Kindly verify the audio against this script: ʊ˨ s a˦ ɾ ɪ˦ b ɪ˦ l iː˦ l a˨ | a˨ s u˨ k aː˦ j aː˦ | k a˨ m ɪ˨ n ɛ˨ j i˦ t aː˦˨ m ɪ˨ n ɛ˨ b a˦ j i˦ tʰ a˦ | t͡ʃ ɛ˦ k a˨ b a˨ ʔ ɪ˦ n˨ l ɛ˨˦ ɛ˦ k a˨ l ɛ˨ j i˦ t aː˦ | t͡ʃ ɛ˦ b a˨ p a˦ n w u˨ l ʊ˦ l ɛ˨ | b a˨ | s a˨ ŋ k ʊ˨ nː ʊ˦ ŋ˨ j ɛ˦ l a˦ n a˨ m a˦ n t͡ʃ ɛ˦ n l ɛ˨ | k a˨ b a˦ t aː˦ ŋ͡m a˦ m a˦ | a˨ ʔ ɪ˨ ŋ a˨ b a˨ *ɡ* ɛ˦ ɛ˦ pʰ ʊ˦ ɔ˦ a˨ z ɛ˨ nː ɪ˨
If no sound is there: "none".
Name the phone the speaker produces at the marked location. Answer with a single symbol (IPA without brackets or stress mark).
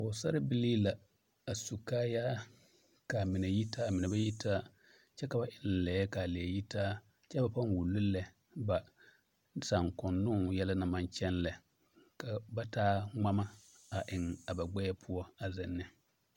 ɡ͡b